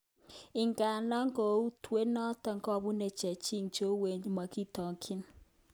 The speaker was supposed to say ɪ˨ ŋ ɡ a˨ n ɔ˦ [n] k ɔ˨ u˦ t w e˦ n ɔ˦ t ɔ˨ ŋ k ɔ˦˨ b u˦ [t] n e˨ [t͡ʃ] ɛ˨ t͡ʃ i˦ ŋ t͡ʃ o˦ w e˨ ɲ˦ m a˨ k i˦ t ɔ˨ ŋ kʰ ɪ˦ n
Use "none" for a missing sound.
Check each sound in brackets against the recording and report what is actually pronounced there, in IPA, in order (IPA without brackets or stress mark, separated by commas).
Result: ŋ, none, t͡ʃ